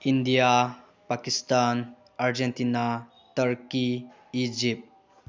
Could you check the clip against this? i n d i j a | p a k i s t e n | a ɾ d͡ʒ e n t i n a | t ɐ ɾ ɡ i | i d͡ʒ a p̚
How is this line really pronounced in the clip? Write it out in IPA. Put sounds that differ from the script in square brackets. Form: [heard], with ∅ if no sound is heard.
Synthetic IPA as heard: i n d i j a | p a k i s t [a] n | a ɾ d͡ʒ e n t i n a | t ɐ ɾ [k] i | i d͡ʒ [i] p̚